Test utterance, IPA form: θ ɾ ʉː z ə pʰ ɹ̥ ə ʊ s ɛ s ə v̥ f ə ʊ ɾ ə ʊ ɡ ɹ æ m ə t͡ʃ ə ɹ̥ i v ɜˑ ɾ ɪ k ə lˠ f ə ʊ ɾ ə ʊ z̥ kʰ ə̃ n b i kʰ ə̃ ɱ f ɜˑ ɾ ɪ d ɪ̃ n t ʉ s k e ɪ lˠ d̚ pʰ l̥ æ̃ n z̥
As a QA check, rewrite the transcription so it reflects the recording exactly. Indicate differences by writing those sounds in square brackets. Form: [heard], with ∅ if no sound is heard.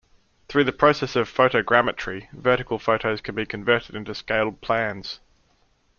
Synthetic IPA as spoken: θ [ɹ] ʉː [ð] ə pʰ ɹ̥ ə ʊ s ɛ s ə v̥ f ə ʊ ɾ ə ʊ ɡ ɹ æ m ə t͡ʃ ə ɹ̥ i v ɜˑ ɾ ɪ k ə lˠ f ə ʊ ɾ ə ʊ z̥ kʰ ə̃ n b i kʰ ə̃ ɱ [v] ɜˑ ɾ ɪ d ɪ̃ n t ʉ s k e ɪ lˠ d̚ pʰ l̥ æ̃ n z̥